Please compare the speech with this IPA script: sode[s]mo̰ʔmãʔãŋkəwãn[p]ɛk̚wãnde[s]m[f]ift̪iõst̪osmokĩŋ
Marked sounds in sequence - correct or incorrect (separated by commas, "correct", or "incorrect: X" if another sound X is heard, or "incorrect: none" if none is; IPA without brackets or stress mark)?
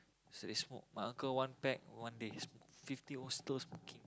correct, correct, correct, correct